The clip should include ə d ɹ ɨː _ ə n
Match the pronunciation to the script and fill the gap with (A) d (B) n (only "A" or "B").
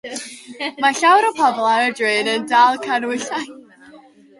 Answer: B